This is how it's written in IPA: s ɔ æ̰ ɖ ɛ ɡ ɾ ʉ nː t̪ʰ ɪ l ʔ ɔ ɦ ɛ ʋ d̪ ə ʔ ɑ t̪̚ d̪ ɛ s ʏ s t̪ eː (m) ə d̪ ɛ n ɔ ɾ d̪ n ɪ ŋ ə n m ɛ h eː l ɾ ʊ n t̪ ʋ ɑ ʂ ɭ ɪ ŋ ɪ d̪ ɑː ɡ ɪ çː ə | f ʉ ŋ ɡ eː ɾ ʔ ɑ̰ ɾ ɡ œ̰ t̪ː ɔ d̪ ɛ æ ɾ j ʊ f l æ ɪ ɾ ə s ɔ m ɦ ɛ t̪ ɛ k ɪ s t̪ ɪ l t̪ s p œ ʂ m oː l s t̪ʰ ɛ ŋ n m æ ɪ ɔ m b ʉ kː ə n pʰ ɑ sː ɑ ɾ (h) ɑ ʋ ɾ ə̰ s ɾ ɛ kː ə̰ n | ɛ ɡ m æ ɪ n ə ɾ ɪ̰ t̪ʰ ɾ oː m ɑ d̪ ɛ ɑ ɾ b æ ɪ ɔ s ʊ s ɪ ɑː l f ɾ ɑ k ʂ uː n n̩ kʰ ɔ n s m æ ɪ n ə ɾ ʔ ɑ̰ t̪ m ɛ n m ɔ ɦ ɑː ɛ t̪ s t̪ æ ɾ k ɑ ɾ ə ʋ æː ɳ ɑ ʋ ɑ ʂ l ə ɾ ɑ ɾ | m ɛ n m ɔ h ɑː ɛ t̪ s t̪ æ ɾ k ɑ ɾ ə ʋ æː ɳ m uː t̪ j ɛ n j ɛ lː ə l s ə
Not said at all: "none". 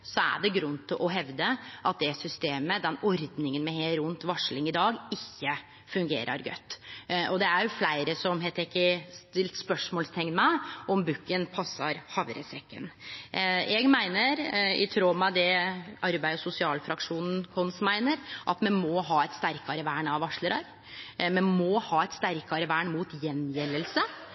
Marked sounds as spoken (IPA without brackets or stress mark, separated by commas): m, h